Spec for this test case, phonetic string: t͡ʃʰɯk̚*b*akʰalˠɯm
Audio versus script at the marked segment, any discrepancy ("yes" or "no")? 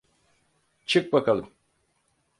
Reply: no